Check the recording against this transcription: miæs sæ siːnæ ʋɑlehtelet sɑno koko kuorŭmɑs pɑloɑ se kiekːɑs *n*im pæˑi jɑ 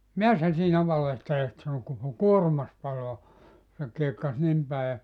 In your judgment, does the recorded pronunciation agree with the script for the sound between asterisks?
yes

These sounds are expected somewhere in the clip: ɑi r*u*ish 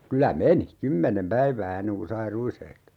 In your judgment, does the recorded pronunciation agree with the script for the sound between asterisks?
yes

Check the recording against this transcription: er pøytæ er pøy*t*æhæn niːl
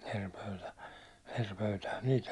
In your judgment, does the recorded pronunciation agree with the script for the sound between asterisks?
yes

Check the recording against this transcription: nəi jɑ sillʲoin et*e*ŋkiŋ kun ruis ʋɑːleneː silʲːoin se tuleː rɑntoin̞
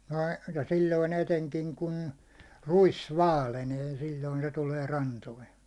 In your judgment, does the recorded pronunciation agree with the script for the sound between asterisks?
yes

